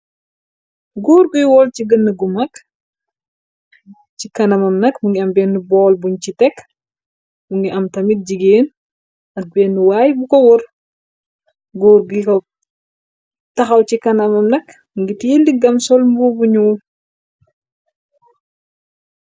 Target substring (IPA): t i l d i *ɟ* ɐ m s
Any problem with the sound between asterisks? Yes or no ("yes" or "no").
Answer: yes